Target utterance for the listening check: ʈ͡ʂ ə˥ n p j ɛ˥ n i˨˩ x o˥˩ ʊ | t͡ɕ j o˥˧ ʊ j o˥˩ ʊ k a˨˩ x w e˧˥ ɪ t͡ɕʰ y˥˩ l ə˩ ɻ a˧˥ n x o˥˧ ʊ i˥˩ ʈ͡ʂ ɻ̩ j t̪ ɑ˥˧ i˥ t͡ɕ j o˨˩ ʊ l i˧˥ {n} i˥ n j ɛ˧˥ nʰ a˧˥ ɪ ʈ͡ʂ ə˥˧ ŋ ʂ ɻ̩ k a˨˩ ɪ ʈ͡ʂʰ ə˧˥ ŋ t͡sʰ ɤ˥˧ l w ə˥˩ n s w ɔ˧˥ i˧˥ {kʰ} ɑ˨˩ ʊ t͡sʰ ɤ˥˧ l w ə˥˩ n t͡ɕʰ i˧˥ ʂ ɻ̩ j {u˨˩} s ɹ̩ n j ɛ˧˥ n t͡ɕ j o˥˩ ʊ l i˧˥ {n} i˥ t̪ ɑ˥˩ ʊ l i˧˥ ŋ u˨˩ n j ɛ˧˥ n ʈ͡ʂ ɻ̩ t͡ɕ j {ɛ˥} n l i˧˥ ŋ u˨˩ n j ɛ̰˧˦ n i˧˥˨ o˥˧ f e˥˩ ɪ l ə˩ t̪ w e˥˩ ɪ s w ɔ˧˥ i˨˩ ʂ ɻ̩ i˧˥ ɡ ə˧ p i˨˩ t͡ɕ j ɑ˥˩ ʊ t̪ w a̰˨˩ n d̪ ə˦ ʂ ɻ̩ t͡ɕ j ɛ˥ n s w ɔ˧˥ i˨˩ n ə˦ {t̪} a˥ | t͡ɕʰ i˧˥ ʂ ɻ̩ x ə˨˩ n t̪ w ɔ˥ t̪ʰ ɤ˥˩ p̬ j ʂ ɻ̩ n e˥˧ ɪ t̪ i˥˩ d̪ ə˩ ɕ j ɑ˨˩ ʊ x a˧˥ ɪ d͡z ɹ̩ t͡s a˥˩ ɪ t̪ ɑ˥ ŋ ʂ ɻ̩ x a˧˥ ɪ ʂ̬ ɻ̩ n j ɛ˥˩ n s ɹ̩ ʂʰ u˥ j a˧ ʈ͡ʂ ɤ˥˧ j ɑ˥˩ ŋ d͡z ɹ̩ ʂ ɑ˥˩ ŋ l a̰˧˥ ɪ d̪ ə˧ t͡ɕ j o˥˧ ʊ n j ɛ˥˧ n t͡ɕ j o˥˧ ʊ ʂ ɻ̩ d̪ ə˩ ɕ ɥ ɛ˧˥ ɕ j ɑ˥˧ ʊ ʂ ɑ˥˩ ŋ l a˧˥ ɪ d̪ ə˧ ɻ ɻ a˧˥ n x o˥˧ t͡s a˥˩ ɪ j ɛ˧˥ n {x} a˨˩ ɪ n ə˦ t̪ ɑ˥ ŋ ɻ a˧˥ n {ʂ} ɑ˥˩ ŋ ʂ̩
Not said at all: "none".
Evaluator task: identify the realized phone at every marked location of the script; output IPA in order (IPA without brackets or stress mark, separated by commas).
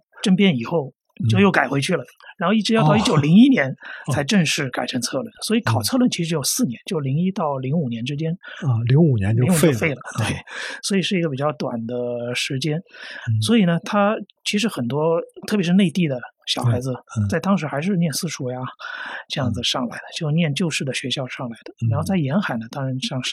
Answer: ŋ, kʰ, o˨˩, ŋ, ɛ˥, t̪ʰ, x, ʂ